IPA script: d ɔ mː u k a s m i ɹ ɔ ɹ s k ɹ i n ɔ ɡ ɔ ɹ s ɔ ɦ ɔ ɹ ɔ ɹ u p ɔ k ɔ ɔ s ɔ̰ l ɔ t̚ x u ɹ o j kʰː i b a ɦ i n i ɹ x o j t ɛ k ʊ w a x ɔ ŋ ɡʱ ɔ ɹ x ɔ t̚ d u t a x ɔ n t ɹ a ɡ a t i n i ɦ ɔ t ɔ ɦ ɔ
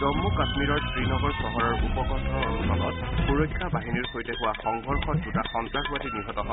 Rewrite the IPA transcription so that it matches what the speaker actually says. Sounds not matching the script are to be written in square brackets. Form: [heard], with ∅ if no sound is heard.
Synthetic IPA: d ɔ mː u k a s m i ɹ ɔ ɹ s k ɹ i n ɔ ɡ ɔ ɹ s ɔ ɦ ɔ ɹ ɔ ɹ u p ɔ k ɔ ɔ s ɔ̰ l ɔ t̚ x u ɹ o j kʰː [a] b a ɦ i n i ɹ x o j t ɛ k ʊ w a x ɔ ŋ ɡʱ ɔ ɹ x ɔ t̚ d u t a x ɔ n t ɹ a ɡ a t i n i ɦ ɔ t ɔ ɦ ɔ

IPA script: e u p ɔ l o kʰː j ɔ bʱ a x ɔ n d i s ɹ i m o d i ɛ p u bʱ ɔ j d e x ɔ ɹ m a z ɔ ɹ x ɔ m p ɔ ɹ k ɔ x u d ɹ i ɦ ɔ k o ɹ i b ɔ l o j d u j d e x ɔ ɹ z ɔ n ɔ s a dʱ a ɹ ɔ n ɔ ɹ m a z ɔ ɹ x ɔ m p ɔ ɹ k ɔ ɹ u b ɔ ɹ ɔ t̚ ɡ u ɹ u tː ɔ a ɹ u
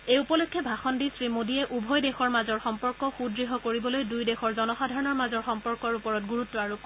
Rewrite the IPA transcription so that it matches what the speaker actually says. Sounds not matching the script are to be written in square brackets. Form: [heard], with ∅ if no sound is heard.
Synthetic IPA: e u p ɔ l o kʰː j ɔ bʱ a x ɔ n d i s ɹ i m o d i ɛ [ʔ] u bʱ ɔ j d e x ɔ ɹ m a z ɔ ɹ x ɔ m p ɔ ɹ k ɔ x u d ɹ i ɦ ɔ k o ɹ i b ɔ l o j d u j d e x ɔ ɹ z ɔ n ɔ [x] a dʱ a ɹ ɔ n ɔ ɹ m a z ɔ ɹ x ɔ m p ɔ ɹ k ɔ ɹ u [p] ɔ ɹ ɔ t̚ ɡ u ɹ u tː ɔ a ɹ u

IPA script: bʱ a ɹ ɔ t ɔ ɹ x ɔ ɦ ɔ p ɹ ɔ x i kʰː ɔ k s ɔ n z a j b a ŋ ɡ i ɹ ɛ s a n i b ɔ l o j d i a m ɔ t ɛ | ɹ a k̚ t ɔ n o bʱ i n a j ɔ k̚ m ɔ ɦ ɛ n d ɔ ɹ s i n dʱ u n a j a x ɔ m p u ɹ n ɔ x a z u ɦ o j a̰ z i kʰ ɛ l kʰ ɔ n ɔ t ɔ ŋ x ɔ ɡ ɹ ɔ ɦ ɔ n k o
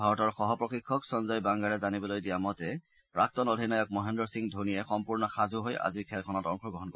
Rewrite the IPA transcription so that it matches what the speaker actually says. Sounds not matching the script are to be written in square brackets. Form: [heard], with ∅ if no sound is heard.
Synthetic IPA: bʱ a ɹ ɔ t ɔ ɹ x ɔ ɦ ɔ p ɹ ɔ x i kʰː ɔ k s ɔ n z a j b a ŋ ɡ [a] ɹ ɛ [z] a n i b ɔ l o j d i a m ɔ t ɛ | ɹ a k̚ t ɔ n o [dʱ] i n a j ɔ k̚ m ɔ ɦ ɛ n d ɔ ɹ s i [ŋ] dʱ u n [i] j [ɛ] x ɔ m p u ɹ n ɔ x a z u ɦ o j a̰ z i kʰ ɛ l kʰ ɔ n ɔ t ɔ ŋ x ɔ ɡ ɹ ɔ ɦ ɔ n k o

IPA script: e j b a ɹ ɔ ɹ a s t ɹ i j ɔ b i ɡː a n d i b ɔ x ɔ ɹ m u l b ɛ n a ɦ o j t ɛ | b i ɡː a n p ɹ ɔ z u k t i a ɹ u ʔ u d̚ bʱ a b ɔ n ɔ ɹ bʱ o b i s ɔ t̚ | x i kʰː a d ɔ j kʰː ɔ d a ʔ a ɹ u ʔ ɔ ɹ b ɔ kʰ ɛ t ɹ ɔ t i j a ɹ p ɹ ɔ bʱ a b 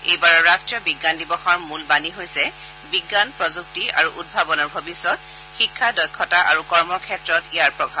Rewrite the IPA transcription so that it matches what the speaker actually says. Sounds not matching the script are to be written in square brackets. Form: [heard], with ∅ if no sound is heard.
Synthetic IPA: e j b a ɹ ɔ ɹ a s t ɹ i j ɔ b i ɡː a n d i b ɔ x ɔ ɹ m u l b [a] n [i] ɦ o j [s] ɛ | b i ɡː a n p ɹ ɔ z u k t i a ɹ u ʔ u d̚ bʱ a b ɔ n ɔ ɹ bʱ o b i s ɔ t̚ | x i kʰː a d ɔ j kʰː ɔ [t] a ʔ a ɹ u [k] ɔ ɹ [m] ɔ kʰ ɛ t ɹ ɔ t i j a ɹ p ɹ ɔ bʱ a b

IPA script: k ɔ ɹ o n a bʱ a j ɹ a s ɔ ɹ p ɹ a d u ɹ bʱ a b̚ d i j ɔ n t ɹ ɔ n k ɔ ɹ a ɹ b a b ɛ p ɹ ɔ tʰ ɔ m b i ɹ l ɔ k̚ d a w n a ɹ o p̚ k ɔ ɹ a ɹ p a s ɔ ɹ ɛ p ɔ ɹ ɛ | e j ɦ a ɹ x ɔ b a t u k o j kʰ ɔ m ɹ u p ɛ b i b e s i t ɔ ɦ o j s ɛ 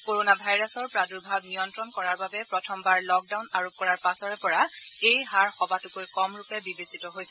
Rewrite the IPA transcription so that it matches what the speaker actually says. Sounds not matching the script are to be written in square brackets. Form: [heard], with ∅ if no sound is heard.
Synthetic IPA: k [o] ɹ o n a bʱ a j ɹ a s ɔ ɹ p ɹ a d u ɹ bʱ a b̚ [n] i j ɔ n t ɹ ɔ n k ɔ ɹ a ɹ b a b ɛ p ɹ ɔ tʰ ɔ m b [a] ɹ l ɔ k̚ d a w n a ɹ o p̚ k ɔ ɹ a ɹ p a s ɔ ɹ ɛ p ɔ ɹ [a] | e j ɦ a ɹ x ɔ b a t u k o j [k] ɔ m ɹ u p ɛ b i b e s i t ɔ ɦ o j s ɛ

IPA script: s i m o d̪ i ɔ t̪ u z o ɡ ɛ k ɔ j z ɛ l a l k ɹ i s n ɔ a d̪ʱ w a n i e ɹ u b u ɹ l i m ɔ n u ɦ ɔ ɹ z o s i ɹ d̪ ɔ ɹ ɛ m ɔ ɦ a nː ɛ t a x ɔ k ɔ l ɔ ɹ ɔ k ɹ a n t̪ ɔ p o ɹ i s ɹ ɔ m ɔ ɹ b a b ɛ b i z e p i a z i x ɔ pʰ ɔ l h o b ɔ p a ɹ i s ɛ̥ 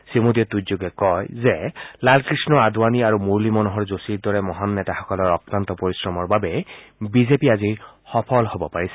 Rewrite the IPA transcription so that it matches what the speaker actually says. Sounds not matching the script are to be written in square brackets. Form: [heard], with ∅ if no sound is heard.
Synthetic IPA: s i m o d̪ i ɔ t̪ u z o ɡ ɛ k ɔ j z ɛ l a l k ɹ i s n ɔ a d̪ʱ w a n i [a] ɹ u [m] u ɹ l i m ɔ n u ɦ ɔ ɹ z o s i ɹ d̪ ɔ ɹ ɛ m ɔ ɦ a nː ɛ t a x ɔ k ɔ l ɔ ɹ ɔ k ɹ a n t̪ ɔ p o ɹ i s ɹ ɔ m ɔ ɹ b a b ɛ b i z e p i a z i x ɔ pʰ ɔ l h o b ɔ p a ɹ i s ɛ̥

